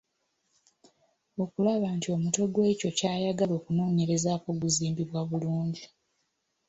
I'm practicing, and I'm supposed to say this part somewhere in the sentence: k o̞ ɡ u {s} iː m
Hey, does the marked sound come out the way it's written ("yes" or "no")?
no